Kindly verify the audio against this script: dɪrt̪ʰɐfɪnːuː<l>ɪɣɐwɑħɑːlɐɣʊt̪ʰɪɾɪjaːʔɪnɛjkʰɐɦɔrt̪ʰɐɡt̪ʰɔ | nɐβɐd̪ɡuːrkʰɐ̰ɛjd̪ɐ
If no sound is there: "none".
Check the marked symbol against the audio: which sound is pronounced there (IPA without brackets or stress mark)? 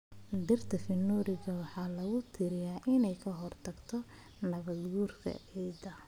ɾ